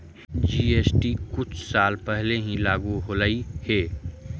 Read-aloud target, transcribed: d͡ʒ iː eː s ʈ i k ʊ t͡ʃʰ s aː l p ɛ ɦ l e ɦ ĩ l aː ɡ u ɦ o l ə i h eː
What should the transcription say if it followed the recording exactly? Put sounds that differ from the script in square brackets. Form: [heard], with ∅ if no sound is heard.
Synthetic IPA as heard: d͡ʒ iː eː s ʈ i k ʊ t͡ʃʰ s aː l p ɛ ɦ l e ɦ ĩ l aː ɡ u ɦ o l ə i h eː